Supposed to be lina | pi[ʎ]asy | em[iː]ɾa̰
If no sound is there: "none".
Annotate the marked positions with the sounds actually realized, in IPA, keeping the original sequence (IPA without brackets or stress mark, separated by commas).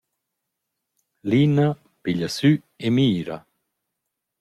ʎ, iː